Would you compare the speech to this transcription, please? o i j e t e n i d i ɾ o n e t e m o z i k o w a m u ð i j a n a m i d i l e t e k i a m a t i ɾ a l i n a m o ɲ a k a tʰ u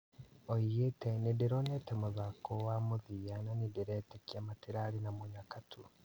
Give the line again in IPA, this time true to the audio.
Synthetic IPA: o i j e t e n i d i ɾ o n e t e m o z a k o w a m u ð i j a n a n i d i ɾ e t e k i a m a t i ɾ a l i n a m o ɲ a k a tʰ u